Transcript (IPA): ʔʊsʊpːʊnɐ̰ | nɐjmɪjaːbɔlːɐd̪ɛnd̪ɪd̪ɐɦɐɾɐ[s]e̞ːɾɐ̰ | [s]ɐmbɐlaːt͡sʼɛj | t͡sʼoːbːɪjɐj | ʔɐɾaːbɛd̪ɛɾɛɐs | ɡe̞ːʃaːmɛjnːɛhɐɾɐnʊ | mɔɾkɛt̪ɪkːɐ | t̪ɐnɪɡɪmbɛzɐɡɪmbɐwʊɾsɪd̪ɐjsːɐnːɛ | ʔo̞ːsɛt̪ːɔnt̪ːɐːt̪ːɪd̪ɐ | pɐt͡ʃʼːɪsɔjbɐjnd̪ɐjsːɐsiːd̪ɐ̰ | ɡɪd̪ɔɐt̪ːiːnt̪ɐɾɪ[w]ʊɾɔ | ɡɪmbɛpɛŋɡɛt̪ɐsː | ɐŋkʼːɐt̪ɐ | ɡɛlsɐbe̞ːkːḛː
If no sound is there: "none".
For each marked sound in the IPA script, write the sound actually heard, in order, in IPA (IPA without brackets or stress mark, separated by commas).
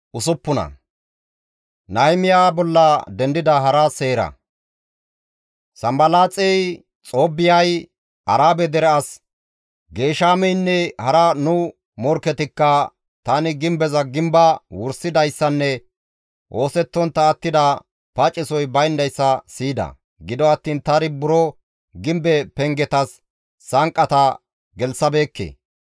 s, s, b